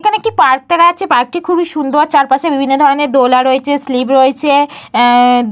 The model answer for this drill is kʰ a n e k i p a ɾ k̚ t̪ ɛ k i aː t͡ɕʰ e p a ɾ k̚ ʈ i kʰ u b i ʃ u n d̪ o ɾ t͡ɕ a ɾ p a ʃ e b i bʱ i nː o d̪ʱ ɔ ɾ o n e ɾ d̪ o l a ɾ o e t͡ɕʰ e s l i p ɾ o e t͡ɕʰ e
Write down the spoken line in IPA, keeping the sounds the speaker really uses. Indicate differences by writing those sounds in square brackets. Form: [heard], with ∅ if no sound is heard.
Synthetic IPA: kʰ a n e k i p a ɾ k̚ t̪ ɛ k [a] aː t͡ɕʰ e p a ɾ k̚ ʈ i kʰ u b i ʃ u n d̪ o ɾ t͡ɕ a ɾ p a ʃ e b i bʱ i nː o d̪ʱ ɔ ɾ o n e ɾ d̪ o l a ɾ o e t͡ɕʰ e s l i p ɾ o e t͡ɕʰ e